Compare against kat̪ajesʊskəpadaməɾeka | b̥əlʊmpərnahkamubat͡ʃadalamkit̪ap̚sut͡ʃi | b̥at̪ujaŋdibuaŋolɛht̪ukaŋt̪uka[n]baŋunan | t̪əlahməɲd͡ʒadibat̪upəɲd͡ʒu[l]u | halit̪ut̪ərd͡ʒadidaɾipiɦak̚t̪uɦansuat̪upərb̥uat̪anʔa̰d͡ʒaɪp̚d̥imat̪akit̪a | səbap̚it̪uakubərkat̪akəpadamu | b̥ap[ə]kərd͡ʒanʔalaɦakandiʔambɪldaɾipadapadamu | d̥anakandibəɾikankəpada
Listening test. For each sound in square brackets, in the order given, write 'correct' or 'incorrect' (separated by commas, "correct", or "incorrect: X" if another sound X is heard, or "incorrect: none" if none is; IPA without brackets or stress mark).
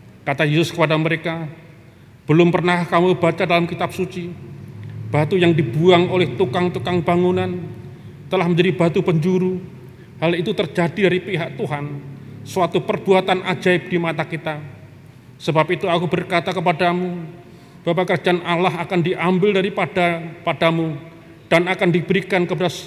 incorrect: ŋ, incorrect: ɾ, incorrect: a